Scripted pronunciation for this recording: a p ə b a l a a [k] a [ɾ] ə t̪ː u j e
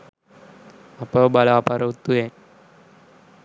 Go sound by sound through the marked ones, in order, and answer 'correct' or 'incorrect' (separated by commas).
incorrect, correct